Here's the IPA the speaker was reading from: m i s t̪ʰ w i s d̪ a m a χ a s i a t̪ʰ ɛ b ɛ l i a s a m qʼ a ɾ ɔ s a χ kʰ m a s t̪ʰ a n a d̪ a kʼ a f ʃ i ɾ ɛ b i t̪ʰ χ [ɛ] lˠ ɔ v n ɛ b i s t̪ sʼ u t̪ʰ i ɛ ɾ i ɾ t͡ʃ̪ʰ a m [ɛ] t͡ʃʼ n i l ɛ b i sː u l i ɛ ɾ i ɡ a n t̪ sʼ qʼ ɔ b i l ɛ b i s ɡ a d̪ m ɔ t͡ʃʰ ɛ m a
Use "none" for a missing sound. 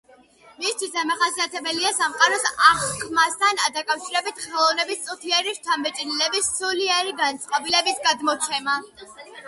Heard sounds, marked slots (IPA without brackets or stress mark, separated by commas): ɛ, ɛ